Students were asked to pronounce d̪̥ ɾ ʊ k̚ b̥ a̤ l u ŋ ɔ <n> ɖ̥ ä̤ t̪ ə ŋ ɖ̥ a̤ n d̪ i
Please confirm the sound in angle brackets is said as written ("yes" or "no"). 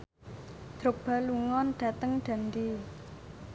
yes